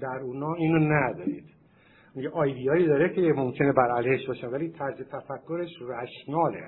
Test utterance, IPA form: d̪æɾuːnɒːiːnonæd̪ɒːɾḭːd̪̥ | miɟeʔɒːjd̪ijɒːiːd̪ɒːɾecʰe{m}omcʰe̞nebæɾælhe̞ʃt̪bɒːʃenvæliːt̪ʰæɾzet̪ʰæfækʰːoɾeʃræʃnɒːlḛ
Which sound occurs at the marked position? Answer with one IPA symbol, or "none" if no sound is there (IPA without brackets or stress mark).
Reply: m